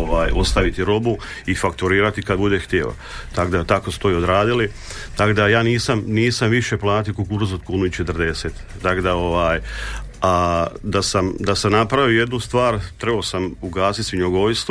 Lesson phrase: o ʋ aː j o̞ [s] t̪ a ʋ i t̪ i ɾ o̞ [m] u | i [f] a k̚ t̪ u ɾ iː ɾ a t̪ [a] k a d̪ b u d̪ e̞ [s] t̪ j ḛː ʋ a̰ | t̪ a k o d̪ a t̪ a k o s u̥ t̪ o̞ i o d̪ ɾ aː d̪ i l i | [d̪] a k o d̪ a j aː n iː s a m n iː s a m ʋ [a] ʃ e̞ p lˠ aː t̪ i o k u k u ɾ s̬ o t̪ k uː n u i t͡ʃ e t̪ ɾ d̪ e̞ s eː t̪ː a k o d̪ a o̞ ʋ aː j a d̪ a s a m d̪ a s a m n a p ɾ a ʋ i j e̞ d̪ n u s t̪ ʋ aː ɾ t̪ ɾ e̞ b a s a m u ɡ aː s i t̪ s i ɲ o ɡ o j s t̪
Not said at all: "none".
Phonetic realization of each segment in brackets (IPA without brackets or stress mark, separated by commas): s, b, f, i, x, t̪, i